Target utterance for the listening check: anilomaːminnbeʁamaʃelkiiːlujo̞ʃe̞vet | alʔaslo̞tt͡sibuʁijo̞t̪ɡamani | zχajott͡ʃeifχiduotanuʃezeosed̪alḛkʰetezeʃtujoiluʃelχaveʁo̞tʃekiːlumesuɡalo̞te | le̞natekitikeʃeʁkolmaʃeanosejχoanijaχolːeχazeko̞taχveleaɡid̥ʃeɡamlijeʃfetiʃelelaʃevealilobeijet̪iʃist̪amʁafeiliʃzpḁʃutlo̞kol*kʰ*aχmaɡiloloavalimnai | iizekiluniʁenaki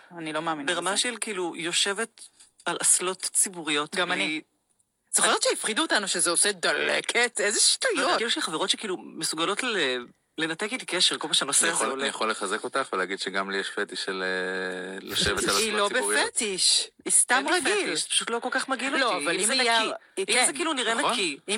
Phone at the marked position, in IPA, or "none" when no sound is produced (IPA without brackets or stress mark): k